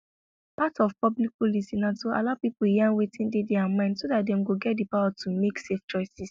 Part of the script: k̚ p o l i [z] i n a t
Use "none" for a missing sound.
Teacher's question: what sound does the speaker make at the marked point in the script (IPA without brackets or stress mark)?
s